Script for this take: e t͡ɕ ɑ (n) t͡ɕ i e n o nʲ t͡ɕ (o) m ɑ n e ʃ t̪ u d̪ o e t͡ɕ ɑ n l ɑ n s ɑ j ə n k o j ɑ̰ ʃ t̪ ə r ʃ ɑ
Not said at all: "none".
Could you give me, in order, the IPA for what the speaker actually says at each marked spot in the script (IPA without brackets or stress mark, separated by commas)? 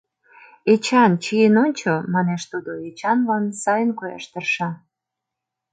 n, o